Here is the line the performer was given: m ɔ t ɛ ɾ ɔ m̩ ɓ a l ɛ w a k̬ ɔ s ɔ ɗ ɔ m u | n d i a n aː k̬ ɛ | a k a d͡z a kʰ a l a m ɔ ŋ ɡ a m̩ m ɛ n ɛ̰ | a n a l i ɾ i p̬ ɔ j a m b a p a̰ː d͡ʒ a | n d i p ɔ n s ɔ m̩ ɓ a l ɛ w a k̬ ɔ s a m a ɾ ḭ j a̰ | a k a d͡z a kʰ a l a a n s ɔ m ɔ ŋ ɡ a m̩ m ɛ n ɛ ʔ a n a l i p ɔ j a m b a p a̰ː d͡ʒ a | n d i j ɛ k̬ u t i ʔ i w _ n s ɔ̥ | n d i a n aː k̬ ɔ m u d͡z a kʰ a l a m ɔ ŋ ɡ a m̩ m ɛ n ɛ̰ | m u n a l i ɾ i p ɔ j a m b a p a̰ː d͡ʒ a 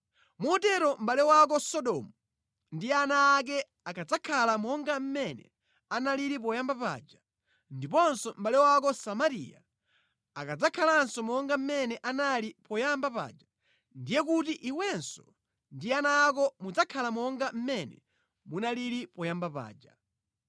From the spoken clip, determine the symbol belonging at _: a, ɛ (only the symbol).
ɛ